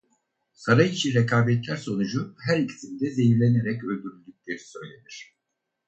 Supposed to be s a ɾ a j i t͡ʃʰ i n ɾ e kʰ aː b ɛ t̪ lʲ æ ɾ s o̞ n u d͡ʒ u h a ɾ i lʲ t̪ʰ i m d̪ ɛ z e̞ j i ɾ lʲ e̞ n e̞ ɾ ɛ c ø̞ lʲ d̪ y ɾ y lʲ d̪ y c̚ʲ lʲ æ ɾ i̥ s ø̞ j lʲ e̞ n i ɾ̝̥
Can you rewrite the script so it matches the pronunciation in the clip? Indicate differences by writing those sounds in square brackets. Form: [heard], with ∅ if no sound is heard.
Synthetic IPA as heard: s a ɾ a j i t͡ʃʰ i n ɾ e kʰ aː b ɛ t̪ lʲ æ ɾ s o̞ n u d͡ʒ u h [æ] ɾ i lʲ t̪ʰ i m d̪ ɛ z e̞ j i ɾ lʲ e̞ n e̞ ɾ ɛ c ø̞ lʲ d̪ y ɾ y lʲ d̪ y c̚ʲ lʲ [e] ɾ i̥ s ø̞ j lʲ e̞ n i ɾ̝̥

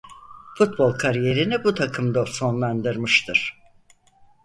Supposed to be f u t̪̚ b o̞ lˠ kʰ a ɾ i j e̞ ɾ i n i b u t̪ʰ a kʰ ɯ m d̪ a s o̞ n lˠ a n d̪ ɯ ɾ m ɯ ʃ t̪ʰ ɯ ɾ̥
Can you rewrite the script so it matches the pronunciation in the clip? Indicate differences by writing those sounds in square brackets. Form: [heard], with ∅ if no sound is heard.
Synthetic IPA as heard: f u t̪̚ b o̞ lˠ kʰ a ɾ i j e̞ ɾ i n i b u t̪ʰ a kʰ ɯ m d̪ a s o̞ n lˠ a n d̪ ɯ ɾ m ɯ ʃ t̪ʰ ɯ ɾ̥

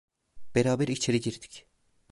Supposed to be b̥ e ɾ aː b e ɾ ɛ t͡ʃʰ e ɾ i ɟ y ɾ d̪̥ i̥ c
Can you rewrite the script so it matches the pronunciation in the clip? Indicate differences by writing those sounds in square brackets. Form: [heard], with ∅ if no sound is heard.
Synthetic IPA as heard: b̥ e ɾ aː b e ɾ [i] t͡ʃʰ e ɾ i ɟ [i] ɾ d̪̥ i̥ c

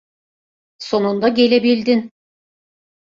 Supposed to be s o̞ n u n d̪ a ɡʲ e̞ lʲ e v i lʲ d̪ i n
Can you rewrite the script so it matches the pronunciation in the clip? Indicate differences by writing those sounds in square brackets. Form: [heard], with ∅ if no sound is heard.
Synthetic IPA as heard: s o̞ n u n d̪ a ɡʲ e̞ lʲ e [b] i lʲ d̪ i n

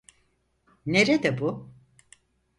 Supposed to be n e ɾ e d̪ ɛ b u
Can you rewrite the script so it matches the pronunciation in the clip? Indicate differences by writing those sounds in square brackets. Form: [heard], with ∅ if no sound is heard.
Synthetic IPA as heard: n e ɾ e d̪ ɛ b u

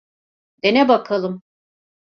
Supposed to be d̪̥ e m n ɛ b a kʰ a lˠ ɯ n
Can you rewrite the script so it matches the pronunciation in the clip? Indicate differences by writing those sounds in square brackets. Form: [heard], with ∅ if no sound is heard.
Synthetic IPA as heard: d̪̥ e [∅] n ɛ b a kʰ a lˠ ɯ [m]

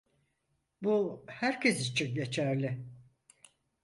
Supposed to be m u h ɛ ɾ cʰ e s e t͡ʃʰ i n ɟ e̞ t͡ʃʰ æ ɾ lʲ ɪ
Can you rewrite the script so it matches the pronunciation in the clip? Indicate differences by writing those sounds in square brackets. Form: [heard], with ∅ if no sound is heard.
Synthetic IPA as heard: [b] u h [æ] ɾ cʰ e s [i] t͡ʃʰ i n ɟ e̞ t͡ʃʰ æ ɾ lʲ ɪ

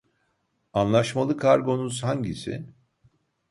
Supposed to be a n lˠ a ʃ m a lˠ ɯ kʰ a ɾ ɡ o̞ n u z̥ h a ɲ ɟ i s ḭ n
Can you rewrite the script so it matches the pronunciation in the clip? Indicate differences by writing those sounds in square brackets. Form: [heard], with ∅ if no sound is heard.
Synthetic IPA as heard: a n lˠ a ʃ m a lˠ ɯ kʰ a ɾ ɡ o̞ n u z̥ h a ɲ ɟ i s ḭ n

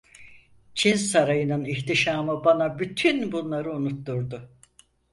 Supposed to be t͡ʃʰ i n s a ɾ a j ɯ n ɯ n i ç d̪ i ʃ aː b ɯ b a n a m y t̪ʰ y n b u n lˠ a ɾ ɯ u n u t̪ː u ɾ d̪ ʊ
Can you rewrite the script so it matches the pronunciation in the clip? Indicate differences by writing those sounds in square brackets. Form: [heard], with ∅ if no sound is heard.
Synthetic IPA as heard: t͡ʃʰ i n s a ɾ a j ɯ n ɯ n i ç [t̪] i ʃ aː [m] ɯ b a n a [b] y t̪ʰ y n b u n lˠ a ɾ ɯ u n u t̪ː u ɾ d̪ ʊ

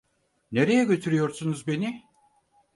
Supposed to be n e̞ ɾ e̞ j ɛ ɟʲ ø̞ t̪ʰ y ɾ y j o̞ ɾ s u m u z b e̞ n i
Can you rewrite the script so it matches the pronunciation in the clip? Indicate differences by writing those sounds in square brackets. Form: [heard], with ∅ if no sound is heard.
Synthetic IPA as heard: n e̞ ɾ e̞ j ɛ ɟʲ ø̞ t̪ʰ y ɾ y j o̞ ɾ s u [n] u z b e̞ n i

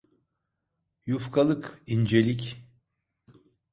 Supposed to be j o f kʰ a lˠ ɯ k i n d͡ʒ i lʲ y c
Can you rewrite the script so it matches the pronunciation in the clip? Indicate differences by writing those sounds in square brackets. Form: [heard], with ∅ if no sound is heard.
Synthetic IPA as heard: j [u] f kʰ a lˠ ɯ k i n d͡ʒ [e] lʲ [i] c

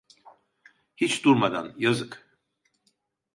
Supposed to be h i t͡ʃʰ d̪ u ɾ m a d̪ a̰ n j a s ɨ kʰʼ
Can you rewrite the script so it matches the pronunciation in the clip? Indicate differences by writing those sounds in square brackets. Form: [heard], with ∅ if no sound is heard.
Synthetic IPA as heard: h i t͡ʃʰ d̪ u ɾ m a d̪ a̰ n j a [z] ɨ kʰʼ

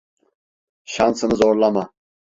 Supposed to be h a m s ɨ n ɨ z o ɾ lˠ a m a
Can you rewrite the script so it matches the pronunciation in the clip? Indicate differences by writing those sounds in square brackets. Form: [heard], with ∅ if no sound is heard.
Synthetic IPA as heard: [ʃ] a [n] s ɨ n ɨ z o ɾ lˠ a m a

